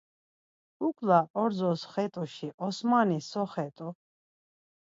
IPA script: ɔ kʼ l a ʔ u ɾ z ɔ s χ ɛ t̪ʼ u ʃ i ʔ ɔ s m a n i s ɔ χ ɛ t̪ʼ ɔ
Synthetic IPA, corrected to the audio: u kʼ l a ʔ ɔ ɾ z ɔ s χ ɛ t̪ʼ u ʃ i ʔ ɔ s m a n i s ɔ χ ɛ t̪ʼ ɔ